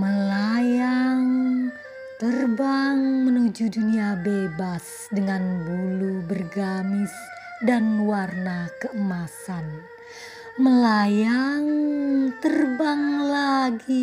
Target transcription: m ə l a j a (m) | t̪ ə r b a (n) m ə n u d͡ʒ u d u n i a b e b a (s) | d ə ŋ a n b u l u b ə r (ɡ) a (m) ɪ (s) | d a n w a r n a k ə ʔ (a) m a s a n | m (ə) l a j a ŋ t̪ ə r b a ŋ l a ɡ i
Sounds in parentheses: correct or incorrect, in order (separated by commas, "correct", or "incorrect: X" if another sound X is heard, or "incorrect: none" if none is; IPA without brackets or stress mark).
incorrect: ŋ, incorrect: ŋ, correct, correct, correct, correct, incorrect: ə, correct